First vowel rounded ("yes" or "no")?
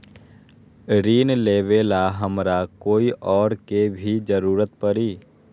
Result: no